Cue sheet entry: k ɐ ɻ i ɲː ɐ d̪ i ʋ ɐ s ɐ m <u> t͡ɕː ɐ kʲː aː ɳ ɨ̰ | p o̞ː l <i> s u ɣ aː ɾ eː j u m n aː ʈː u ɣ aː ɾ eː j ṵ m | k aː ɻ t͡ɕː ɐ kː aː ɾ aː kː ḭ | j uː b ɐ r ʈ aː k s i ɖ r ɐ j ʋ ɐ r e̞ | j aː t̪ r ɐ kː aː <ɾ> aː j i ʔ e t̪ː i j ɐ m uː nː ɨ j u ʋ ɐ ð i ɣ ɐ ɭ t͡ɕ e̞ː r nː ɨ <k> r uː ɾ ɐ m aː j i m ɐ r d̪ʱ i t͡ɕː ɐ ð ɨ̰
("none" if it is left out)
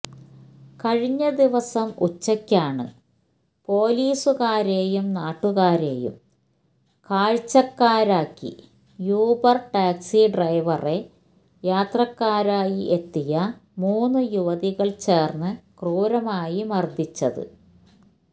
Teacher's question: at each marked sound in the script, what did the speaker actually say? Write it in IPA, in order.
u, iː, ɾ, k

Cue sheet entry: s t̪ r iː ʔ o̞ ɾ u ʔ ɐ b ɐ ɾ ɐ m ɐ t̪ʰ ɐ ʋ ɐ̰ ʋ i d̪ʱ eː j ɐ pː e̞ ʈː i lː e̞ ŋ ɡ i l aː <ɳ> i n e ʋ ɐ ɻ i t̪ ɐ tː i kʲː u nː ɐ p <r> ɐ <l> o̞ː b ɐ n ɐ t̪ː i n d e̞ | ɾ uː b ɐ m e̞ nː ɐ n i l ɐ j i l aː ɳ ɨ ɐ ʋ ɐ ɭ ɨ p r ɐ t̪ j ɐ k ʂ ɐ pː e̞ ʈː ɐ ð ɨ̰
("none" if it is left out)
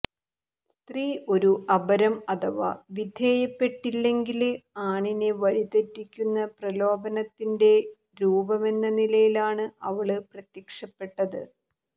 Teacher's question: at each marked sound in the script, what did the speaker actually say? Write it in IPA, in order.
ɳ, r, l

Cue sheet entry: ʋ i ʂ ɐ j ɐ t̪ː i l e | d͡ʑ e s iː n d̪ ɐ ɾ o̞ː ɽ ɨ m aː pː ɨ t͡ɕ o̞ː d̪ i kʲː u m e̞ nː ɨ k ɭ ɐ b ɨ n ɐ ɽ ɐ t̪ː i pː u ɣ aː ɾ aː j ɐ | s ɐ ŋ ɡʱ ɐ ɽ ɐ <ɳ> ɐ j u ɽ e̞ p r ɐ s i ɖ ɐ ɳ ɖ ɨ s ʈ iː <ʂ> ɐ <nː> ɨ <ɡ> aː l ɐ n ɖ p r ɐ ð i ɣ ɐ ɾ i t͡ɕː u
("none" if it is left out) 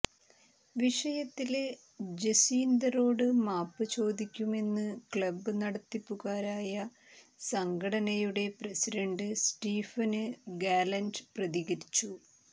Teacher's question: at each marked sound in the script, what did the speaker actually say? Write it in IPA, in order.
n, f, n, ɡ

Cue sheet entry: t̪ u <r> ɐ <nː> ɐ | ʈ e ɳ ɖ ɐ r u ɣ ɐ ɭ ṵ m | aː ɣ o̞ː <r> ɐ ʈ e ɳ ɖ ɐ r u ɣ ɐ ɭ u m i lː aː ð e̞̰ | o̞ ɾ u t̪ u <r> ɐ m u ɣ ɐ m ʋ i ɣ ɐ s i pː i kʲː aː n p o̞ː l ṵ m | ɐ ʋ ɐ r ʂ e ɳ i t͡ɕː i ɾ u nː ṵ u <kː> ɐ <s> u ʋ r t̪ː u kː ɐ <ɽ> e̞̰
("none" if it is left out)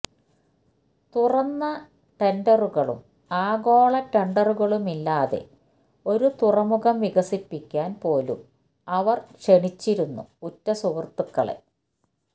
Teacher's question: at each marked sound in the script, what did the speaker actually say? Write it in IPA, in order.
r, nː, ɭ, r, tː, s, ɭ

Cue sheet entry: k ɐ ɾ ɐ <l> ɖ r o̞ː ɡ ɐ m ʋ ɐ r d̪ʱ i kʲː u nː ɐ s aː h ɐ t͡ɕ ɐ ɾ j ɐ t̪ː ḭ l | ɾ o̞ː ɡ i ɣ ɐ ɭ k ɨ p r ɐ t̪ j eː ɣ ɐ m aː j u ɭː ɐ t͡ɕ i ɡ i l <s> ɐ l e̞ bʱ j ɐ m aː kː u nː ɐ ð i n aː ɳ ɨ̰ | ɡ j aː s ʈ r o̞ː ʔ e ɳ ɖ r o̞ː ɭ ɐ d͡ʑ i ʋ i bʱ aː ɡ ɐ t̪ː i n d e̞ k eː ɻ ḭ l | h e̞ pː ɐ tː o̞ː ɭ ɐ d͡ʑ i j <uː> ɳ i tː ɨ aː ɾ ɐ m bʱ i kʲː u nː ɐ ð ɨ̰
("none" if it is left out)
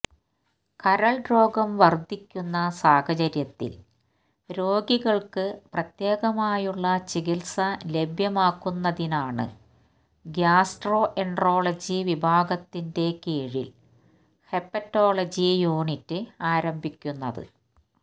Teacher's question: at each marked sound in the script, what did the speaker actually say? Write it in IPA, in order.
ɭ, s, uː

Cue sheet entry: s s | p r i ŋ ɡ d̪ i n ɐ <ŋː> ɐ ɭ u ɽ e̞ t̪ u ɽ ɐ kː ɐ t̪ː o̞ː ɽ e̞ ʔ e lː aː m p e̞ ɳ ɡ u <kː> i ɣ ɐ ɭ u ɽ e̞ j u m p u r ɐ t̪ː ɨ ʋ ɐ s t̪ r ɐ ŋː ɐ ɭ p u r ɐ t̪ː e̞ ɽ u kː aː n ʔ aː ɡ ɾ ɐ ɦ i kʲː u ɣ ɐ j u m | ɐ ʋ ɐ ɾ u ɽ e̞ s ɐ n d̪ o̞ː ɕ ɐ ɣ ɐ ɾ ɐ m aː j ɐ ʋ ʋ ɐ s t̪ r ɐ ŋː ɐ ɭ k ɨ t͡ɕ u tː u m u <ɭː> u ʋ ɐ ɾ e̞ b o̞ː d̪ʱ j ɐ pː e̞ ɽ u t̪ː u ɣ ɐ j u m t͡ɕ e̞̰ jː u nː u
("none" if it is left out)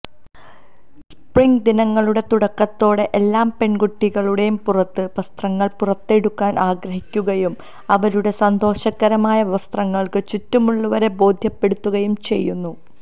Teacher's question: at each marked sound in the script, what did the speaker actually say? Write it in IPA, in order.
ŋː, ʈː, ɭː

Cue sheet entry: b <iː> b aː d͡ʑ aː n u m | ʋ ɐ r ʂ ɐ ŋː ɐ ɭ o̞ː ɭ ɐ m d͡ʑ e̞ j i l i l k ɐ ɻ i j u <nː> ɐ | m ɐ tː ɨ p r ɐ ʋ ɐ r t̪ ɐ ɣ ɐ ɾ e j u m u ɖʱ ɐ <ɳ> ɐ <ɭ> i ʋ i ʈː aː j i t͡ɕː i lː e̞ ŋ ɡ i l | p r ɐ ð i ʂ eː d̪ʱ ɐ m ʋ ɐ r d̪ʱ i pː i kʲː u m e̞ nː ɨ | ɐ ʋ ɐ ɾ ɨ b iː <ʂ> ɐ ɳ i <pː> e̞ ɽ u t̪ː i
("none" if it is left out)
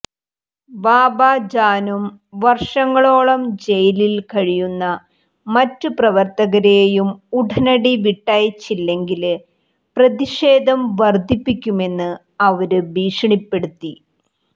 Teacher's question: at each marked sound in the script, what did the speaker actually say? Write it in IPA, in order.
aː, nː, n, ɽ, ʂ, pː

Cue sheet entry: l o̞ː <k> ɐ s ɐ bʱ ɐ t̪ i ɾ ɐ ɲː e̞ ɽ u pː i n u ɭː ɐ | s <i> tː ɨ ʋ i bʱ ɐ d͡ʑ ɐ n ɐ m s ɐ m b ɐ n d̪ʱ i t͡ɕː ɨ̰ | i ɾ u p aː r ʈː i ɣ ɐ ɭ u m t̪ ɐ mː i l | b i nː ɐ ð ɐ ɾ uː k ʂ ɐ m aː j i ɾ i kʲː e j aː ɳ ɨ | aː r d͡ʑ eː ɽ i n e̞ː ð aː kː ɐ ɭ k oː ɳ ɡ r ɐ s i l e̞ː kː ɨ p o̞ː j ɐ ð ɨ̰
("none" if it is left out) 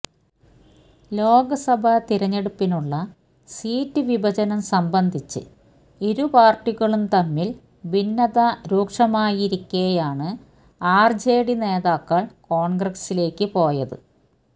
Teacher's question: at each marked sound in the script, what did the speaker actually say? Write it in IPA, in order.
ɡ, iː

